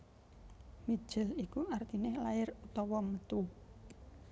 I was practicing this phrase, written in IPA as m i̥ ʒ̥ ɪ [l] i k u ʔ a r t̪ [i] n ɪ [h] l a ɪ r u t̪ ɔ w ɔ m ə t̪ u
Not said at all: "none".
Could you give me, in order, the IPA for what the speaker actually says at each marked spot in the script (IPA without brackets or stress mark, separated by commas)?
l, i, h